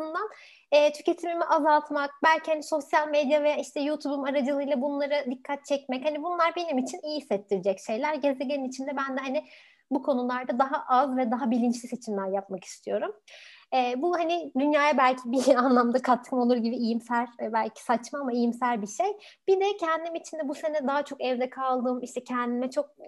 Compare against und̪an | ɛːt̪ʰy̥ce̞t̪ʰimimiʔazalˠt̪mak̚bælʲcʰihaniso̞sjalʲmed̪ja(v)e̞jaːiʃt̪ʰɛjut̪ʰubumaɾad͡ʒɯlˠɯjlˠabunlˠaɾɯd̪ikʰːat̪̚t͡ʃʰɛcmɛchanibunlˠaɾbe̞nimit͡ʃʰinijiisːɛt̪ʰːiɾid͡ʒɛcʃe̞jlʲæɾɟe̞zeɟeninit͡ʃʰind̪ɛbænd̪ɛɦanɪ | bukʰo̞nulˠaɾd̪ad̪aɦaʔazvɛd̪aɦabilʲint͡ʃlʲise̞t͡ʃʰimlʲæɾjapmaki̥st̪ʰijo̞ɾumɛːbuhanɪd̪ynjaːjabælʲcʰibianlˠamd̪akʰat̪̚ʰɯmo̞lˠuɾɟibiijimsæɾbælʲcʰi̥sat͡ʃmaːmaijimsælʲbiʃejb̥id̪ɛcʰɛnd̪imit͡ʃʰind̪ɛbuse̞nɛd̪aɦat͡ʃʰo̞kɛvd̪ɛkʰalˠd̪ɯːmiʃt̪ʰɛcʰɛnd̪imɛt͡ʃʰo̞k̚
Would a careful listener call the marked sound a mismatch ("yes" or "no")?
no